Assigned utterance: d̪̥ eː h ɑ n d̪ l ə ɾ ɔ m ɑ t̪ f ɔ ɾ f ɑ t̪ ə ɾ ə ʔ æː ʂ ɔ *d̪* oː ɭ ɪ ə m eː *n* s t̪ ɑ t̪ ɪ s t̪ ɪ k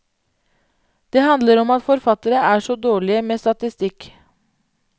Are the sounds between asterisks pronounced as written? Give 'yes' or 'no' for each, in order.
yes, no

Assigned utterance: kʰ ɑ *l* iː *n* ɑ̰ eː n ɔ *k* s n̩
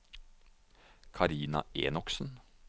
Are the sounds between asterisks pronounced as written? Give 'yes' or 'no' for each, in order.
no, yes, yes

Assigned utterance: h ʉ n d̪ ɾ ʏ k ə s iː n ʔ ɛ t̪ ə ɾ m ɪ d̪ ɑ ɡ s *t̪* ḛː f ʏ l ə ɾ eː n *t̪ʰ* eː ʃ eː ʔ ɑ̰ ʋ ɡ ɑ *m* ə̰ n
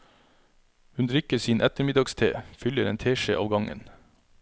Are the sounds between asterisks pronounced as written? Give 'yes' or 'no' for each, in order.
no, yes, no

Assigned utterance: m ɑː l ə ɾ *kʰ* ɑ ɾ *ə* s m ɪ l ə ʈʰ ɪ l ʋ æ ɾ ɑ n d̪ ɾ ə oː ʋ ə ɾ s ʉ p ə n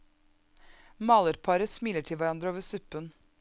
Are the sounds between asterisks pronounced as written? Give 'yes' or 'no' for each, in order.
no, yes

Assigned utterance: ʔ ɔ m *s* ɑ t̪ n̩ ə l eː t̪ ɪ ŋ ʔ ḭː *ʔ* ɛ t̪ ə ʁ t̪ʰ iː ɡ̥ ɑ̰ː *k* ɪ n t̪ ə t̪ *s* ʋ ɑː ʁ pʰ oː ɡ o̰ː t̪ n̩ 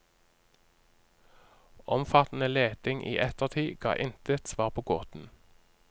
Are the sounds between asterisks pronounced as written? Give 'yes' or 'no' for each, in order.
no, yes, no, yes

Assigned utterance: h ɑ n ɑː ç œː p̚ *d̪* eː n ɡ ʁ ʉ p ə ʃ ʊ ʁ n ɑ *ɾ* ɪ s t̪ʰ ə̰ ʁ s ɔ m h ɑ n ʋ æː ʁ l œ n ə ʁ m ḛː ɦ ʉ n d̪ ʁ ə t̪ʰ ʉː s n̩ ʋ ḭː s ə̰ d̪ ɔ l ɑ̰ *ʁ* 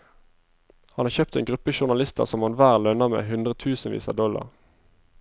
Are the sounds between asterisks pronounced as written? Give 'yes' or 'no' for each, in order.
no, no, yes

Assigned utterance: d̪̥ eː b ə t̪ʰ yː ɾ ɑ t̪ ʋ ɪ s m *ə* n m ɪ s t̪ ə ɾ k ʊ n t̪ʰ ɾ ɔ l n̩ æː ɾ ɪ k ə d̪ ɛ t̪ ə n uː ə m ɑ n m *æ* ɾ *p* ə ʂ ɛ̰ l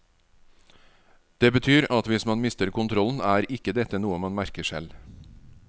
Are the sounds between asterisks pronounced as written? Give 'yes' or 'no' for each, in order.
no, yes, no

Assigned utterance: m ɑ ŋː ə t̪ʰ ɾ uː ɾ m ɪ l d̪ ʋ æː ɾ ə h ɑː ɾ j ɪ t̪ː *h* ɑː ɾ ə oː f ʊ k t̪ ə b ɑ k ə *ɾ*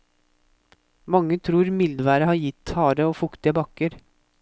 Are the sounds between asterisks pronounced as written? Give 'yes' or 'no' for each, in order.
yes, yes

